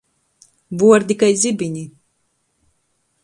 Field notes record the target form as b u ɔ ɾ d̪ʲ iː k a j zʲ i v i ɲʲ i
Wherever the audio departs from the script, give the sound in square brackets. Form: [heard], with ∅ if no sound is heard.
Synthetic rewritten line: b u ɔ ɾ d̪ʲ [i] k a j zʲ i [b] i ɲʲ i